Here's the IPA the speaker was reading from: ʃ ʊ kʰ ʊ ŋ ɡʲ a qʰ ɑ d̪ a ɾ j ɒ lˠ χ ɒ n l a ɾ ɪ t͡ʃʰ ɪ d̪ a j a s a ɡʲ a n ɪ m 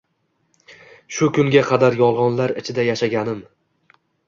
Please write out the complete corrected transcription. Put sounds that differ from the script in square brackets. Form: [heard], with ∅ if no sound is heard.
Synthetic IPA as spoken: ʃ ʊ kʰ ʊ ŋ ɡʲ a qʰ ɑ d̪ a ɾ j ɒ lˠ [ʁ] ɒ n l a ɾ ɪ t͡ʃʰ ɪ d̪ a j a [ʃ] a ɡʲ a n ɪ m